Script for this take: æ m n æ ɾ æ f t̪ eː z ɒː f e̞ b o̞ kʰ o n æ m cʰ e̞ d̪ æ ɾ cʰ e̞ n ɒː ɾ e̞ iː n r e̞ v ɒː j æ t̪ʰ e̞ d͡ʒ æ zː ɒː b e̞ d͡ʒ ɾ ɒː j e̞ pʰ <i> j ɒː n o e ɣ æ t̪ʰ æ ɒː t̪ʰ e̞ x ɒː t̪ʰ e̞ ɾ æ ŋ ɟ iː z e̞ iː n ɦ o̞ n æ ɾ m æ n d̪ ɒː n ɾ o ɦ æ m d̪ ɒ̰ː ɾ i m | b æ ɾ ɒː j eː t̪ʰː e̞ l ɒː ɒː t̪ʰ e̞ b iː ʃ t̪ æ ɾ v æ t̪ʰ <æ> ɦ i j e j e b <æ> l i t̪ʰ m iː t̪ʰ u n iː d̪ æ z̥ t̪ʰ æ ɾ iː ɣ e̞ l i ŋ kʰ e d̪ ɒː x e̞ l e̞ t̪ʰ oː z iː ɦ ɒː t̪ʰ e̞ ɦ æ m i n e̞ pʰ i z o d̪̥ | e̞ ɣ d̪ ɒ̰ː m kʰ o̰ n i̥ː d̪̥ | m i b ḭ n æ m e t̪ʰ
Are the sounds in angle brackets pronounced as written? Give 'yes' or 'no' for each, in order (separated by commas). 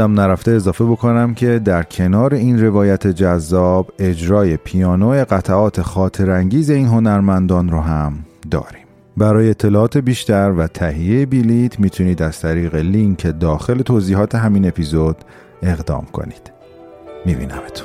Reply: yes, yes, no